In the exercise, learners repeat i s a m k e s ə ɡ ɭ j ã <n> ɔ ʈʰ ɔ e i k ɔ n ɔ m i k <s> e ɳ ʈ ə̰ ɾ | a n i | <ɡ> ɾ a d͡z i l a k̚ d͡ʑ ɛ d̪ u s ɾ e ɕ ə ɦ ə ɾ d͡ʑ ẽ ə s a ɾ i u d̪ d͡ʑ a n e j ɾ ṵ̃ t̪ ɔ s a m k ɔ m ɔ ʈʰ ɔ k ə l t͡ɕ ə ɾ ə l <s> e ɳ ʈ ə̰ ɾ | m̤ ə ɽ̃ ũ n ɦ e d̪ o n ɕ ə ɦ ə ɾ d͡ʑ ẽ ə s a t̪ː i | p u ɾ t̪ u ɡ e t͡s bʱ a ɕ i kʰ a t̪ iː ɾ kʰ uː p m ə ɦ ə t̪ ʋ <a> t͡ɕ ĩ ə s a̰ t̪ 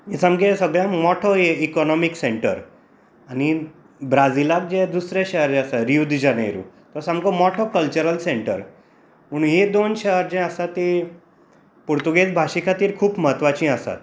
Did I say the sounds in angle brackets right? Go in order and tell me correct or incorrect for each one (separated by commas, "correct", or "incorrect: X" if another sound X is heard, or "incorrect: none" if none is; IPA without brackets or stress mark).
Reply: incorrect: m, correct, incorrect: b, correct, correct